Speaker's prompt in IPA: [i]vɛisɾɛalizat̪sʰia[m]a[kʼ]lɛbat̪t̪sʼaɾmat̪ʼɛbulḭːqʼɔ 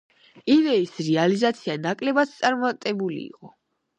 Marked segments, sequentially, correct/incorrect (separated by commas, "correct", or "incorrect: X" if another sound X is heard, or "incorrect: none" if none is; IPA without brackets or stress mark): correct, incorrect: n, correct